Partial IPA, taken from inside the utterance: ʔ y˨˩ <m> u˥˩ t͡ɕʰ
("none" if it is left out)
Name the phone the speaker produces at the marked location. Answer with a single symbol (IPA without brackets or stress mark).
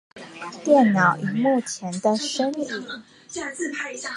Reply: m